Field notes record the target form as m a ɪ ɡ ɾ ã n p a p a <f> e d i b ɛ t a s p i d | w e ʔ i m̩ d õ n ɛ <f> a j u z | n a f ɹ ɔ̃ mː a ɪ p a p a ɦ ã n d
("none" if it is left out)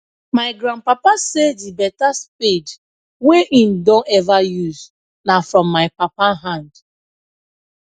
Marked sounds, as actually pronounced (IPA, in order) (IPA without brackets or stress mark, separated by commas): s, v